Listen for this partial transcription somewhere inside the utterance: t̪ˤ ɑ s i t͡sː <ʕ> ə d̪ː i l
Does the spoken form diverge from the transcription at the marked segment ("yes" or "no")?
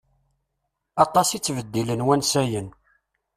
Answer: yes